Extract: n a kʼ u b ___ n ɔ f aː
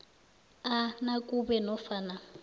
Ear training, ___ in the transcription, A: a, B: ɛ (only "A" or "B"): B